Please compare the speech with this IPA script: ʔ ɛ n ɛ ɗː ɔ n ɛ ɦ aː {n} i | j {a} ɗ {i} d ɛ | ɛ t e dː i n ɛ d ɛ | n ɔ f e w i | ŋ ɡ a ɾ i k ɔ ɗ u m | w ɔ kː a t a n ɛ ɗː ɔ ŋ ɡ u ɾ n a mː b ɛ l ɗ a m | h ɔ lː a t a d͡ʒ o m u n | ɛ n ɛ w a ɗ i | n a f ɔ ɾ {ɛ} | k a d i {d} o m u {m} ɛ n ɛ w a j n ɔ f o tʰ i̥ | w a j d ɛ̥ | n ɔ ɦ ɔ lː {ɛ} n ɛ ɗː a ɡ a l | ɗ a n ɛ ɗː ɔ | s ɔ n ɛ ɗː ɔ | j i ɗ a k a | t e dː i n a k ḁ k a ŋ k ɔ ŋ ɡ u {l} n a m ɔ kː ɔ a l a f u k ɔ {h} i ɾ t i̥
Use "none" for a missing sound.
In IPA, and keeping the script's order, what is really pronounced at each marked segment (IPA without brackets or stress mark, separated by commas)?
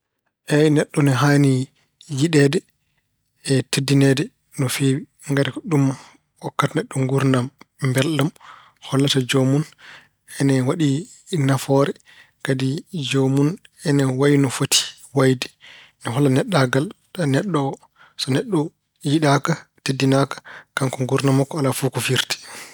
n, i, ɛ, ɛ, d͡ʒ, n, a, ɾ, f